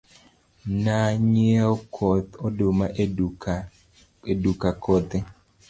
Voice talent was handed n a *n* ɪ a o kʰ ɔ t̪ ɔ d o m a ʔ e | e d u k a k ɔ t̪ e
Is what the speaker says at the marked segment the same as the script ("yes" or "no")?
no